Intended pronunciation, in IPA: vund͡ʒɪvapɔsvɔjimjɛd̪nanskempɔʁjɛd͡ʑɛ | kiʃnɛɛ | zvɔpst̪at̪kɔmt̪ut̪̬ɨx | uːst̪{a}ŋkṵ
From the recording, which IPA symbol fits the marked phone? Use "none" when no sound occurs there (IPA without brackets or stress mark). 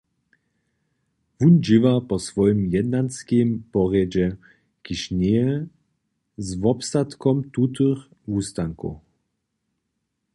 a